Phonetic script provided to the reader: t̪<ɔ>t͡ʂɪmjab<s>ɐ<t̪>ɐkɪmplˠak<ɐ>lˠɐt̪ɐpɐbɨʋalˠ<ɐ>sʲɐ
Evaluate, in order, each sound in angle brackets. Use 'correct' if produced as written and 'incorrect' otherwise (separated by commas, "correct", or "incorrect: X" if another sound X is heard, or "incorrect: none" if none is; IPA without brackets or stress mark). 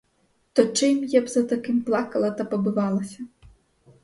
correct, incorrect: z, correct, correct, correct